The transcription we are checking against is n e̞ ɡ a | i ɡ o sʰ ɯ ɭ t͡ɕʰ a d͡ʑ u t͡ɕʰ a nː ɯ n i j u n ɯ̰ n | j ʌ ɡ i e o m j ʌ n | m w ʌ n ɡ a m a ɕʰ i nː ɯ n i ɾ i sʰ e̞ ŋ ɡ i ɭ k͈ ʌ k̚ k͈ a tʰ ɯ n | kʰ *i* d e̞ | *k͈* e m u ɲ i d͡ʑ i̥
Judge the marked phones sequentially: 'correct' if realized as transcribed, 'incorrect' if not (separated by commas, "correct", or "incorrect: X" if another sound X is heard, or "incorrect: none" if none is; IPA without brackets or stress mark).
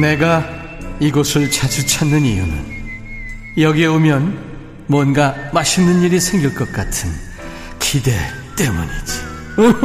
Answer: correct, incorrect: t͈